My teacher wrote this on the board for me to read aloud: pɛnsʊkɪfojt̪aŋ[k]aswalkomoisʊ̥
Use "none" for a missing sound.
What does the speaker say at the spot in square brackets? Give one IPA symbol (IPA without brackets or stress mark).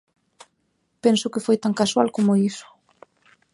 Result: k